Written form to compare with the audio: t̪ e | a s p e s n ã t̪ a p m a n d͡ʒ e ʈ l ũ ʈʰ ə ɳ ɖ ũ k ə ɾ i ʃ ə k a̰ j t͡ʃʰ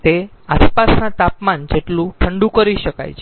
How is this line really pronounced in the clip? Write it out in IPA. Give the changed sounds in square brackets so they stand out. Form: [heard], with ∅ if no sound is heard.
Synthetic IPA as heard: t̪ e | a s p [a] s n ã t̪ a p m a n d͡ʒ e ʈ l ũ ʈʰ ə ɳ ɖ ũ k ə ɾ i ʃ ə k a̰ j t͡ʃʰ